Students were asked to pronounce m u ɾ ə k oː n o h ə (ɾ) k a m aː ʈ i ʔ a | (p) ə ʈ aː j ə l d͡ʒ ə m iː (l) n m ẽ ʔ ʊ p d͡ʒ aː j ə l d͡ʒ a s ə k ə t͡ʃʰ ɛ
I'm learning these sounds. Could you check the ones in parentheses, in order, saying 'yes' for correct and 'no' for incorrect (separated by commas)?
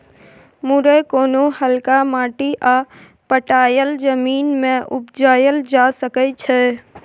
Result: no, yes, no